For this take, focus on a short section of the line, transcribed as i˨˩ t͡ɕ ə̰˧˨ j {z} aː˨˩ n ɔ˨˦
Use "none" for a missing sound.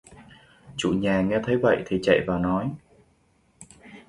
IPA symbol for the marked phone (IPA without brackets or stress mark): v